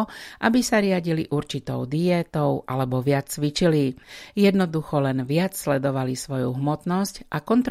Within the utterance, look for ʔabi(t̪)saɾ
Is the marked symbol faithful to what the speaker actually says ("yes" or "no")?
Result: no